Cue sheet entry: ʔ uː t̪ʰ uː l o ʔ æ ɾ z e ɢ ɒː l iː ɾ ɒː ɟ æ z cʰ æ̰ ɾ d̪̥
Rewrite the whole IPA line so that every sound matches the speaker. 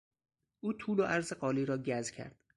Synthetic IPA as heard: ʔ uː t̪ʰ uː l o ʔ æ ɾ z e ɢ ɒː l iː ɾ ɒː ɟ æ z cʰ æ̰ ɾ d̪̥